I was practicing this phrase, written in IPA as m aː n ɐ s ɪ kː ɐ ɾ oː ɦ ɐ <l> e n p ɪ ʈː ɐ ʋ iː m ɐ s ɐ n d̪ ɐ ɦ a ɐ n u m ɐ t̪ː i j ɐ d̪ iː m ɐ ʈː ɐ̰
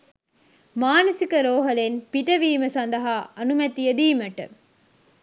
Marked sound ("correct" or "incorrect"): correct